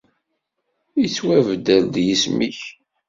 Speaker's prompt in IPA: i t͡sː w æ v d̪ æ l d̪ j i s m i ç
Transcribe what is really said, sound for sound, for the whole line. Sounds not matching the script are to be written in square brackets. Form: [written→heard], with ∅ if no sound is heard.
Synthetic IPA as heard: i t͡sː w æ v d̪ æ l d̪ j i s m i ç